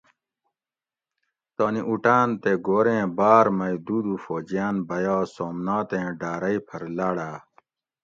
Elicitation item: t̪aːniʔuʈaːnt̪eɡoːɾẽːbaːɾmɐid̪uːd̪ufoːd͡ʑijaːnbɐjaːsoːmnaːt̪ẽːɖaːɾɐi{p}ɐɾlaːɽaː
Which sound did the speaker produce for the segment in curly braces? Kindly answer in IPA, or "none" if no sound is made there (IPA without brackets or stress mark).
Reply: pʰ